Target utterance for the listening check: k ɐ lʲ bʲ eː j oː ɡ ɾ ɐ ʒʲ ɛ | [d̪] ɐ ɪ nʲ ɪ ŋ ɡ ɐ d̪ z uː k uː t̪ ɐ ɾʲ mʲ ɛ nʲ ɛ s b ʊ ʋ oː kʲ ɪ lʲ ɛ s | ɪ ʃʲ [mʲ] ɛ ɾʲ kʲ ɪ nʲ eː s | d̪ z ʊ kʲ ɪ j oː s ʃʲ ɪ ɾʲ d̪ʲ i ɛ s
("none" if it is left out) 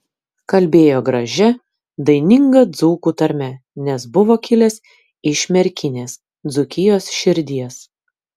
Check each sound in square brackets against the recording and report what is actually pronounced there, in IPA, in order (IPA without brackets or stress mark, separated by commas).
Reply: d̪, mʲ